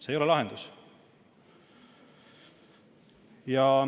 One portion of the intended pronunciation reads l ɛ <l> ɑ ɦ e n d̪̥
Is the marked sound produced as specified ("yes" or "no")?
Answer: yes